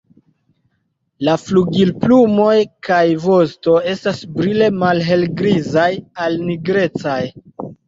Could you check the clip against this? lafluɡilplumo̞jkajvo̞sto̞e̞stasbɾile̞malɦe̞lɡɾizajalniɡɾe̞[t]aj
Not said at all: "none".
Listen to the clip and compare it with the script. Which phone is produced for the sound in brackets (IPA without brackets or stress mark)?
t͡s